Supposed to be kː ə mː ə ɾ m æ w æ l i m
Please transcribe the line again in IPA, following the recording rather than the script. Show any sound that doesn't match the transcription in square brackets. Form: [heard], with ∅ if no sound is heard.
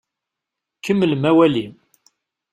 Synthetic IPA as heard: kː ə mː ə [l] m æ w æ l i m